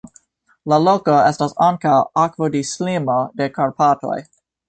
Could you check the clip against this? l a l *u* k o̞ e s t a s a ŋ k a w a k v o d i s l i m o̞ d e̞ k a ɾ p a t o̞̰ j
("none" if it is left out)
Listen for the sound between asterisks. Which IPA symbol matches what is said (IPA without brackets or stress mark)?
o